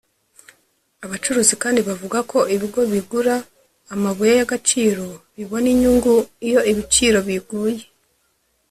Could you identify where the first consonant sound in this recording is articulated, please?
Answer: labial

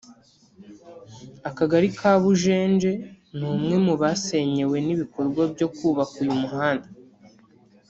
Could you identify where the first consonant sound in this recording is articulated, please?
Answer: velar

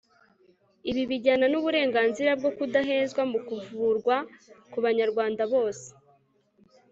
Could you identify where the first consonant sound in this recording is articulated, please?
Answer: labial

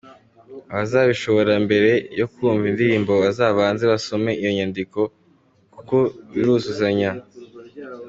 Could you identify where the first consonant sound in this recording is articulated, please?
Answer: labial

